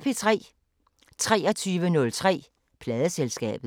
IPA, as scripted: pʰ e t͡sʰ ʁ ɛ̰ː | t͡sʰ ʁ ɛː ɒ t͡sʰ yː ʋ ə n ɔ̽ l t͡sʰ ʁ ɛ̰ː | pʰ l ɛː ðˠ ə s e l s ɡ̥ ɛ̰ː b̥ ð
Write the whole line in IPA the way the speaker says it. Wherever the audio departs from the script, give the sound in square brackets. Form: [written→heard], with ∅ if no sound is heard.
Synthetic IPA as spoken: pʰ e t͡sʰ ʁ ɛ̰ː | t͡sʰ ʁ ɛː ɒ t͡sʰ yː ʋ ə n ɔ̽ l t͡sʰ ʁ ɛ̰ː | pʰ l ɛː ðˠ ə s e l s ɡ̥ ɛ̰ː b̥ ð